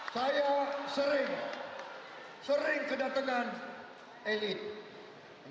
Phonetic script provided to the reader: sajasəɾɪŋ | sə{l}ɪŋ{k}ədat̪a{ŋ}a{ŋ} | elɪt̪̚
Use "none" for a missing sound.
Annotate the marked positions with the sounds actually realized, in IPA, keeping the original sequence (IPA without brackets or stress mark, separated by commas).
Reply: ɾ, k, ŋ, n